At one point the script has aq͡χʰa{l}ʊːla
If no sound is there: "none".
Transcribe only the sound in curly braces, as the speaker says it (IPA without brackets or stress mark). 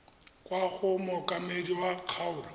none